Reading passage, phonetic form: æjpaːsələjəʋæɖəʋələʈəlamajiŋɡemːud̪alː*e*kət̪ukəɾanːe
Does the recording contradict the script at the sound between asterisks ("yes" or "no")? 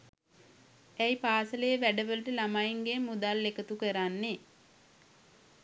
no